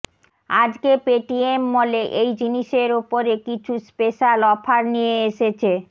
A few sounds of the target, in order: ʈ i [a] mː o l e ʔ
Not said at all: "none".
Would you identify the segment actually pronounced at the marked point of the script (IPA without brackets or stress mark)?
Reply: e